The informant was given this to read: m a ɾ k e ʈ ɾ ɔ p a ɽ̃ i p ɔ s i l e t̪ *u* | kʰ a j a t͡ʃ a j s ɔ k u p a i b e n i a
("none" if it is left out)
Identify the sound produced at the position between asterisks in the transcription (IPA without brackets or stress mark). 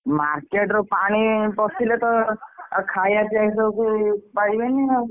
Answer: ɔ